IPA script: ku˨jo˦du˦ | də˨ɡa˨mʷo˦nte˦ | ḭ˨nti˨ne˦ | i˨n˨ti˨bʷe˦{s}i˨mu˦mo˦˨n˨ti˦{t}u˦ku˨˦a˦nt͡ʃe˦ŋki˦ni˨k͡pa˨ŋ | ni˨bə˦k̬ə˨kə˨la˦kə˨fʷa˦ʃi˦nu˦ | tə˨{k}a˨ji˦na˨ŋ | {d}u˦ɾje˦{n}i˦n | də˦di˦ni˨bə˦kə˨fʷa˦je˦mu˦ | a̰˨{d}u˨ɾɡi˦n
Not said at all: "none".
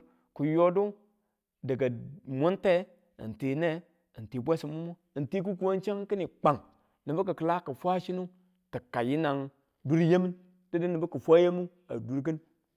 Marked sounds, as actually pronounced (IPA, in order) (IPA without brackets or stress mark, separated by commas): s, k, k, d, m, d